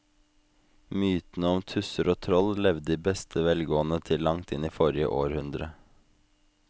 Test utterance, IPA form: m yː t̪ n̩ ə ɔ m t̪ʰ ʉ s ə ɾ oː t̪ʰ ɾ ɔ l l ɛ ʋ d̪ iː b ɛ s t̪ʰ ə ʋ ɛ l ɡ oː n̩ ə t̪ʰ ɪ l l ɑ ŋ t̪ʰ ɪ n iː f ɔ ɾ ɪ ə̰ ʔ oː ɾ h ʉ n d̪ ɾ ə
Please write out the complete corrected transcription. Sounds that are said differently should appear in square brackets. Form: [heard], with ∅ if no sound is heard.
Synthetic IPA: m yː t̪ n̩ ə ɔ m t̪ʰ ʉ s ə ɾ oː t̪ʰ ɾ ɔ l l ɛ ʋ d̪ iː b ɛ s t̪ʰ ə ʋ ɛ l ɡ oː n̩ ə t̪ʰ ɪ l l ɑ ŋ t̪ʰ ɪ n iː f ɔ ɾ ɪ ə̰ ʔ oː ɾ h ʉ n d̪ ɾ ə